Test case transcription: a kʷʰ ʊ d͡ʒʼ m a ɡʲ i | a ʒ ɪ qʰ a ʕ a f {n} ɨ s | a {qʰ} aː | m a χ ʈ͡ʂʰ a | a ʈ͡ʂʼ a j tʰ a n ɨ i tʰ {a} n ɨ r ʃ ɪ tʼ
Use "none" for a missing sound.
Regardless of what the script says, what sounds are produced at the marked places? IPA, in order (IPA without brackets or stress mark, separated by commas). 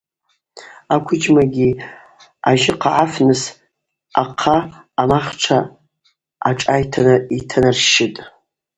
n, qʰ, a